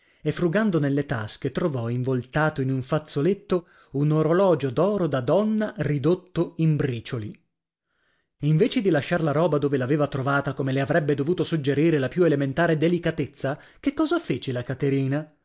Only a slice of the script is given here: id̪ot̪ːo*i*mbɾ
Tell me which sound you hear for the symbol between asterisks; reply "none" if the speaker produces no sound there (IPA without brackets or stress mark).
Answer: i